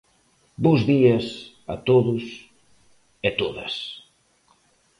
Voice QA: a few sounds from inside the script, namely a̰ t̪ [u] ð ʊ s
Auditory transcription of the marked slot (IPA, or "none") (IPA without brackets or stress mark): o